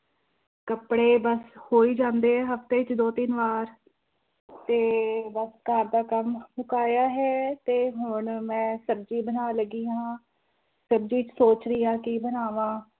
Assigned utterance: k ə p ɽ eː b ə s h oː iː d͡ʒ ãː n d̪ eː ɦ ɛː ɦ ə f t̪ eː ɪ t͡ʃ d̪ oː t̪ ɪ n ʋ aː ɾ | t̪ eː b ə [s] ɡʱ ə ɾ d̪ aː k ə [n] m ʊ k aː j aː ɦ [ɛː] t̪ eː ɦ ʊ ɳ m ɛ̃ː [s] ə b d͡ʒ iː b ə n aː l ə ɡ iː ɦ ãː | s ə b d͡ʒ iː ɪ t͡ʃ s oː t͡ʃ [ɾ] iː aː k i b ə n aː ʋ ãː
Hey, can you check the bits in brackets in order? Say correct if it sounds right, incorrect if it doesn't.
correct, incorrect: m, correct, correct, correct

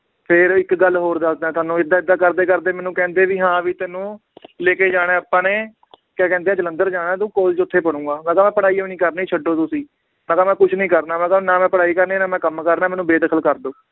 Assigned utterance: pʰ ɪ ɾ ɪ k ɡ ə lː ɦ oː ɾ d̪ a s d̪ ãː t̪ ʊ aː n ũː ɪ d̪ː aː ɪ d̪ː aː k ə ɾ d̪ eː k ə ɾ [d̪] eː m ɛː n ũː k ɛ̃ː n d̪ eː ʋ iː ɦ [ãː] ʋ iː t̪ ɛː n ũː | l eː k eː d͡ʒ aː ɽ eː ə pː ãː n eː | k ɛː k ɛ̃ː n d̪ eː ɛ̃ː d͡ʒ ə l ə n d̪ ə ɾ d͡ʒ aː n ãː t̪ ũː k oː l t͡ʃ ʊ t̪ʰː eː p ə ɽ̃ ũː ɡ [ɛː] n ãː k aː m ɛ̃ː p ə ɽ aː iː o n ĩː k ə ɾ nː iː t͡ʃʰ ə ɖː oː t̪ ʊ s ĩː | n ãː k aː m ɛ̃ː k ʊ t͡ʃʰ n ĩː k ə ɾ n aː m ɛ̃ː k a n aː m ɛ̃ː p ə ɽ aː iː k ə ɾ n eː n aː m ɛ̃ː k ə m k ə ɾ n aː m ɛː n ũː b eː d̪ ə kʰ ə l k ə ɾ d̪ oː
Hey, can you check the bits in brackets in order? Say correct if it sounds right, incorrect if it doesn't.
correct, correct, incorrect: aː

